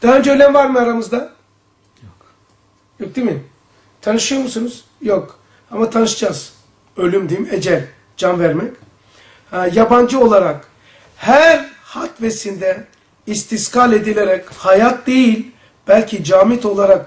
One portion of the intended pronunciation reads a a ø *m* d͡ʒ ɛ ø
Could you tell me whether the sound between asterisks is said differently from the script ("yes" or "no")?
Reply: yes